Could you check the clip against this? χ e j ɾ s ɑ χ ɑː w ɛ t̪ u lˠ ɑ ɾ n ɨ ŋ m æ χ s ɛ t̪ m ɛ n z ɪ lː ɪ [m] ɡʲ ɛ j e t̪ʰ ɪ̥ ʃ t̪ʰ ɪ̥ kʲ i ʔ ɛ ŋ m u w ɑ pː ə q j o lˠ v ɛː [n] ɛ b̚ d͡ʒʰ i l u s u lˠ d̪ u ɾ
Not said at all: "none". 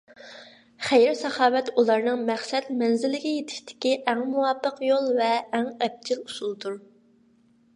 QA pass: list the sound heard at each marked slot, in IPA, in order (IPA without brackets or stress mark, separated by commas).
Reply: none, ŋ